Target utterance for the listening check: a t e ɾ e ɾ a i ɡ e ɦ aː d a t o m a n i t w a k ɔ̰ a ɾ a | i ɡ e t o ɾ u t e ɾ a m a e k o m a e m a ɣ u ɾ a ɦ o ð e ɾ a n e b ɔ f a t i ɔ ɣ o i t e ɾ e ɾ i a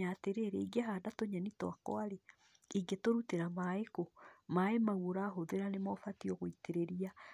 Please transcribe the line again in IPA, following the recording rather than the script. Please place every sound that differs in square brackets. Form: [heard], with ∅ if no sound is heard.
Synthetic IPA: a t e ɾ e ɾ [e] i ɡ e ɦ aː d a t o [ɲ] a n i t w a k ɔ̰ a ɾ [e] | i ɡ e t o ɾ u t e ɾ a m a e k o m a e m a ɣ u ɾ a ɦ o ð e ɾ a n e [m] ɔ f a t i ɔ ɣ o i t e ɾ e ɾ i a

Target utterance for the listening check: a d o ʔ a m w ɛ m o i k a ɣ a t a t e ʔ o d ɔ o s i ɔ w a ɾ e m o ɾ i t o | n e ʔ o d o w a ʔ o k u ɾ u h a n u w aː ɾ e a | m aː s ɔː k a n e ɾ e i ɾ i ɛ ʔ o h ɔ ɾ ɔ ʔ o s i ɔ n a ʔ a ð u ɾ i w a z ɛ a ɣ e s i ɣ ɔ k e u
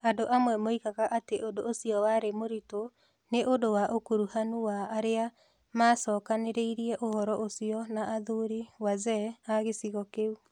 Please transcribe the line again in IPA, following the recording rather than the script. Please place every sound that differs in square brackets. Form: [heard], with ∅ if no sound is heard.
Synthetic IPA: a d o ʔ a m w ɛ m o i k a ɣ a [ʔ] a t e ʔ o d [o] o s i ɔ w a ɾ e m o ɾ i t o | n e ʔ o d o w a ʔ o k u ɾ u h a n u w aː ɾ e a | m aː s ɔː k a n e ɾ e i ɾ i ɛ ʔ o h ɔ ɾ ɔ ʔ o s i ɔ n a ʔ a ð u ɾ i w a z ɛ a ɣ e s i ɣ ɔ k e u

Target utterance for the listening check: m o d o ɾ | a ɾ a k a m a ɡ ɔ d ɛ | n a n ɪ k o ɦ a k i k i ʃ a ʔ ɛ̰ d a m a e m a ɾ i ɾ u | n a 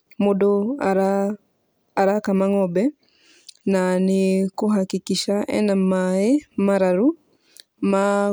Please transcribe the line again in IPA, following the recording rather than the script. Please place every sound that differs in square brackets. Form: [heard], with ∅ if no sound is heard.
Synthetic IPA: m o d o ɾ | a ɾ a k a m a [ŋ] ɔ [b] ɛ | n a n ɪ k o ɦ a k i k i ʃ a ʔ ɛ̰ [n] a m a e m a ɾ [a] ɾ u | [m] a

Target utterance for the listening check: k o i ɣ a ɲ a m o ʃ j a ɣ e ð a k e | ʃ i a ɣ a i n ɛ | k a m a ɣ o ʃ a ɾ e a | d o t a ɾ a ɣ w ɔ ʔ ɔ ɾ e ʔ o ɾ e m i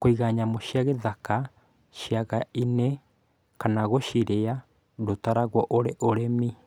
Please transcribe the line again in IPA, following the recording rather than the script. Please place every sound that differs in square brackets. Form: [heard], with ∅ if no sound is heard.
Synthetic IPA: k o i ɣ a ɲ a m o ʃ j a ɣ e ð a k [a] | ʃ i a ɣ a i n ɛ | k a [n] a ɣ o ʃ [i] ɾ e a | d o t a ɾ a ɣ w ɔ ʔ [o] ɾ e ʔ o ɾ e m i

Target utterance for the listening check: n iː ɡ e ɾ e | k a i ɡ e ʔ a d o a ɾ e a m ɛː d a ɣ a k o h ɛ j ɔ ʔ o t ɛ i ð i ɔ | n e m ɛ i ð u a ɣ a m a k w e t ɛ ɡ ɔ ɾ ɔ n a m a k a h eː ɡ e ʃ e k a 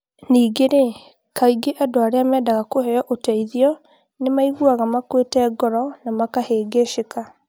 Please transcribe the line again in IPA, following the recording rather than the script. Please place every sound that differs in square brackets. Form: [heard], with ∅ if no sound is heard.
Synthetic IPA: n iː ɡ e ɾ e | k a i ɡ e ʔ a d o a ɾ e a m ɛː d a ɣ a k o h ɛ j ɔ ʔ o t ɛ i ð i ɔ | n e m [a] i [ɣ] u a ɣ a m a k w e t ɛ ɡ ɔ ɾ ɔ n a m a k a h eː ɡ e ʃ e k a

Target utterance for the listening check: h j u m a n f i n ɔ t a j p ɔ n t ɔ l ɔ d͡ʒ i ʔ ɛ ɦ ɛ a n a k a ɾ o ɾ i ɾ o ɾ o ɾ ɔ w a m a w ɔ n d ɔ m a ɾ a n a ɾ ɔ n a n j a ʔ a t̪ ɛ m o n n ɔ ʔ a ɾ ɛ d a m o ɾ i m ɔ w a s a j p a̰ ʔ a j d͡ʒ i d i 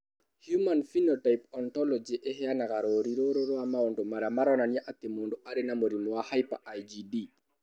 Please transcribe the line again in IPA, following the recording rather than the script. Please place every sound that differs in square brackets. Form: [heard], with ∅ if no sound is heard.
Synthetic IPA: h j u m a n f i n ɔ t a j p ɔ n t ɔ l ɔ d͡ʒ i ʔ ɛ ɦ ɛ a n a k a ɾ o ɾ i ɾ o ɾ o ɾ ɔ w a m a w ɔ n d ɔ m a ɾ a [m] a ɾ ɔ n a n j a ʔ a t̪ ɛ m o n [d] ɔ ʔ a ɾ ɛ [n] a m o ɾ i m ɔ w a [h] a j p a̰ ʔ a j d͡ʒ i d i

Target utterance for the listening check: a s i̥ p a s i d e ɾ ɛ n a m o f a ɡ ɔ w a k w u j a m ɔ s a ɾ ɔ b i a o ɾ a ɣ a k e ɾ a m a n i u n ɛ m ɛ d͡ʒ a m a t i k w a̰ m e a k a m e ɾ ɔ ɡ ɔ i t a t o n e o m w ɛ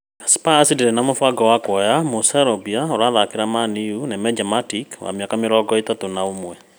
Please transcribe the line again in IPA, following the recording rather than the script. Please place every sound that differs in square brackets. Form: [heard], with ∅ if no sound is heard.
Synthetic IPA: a s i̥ p a s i d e ɾ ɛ n a m o f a ɡ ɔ w a k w [ɔ] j a m [o] s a ɾ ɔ b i a o ɾ a [ð] a k e ɾ a m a n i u n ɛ m ɛ d͡ʒ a m a t i k w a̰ m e a k a m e ɾ ɔ ɡ ɔ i t a t o n [a] o m w ɛ

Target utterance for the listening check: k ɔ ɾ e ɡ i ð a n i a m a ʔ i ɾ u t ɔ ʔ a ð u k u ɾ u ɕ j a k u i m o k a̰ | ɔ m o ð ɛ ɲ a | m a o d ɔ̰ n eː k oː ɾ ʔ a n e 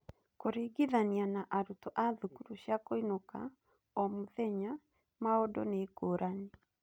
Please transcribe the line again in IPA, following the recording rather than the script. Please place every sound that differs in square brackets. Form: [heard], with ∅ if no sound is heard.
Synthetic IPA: k [o] ɾ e ɡ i ð a n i a [n] a ʔ [a] ɾ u t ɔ ʔ a ð u k u ɾ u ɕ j a k [o] i [n] o k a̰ | ɔ m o ð ɛ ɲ a | m a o d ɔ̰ n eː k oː ɾ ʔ a n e

